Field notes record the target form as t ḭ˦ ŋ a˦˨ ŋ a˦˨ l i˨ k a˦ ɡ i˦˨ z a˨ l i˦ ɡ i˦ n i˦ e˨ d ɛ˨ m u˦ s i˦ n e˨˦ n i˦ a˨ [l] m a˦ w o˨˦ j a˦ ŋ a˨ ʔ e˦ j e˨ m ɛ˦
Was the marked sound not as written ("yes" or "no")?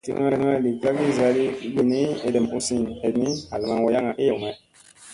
no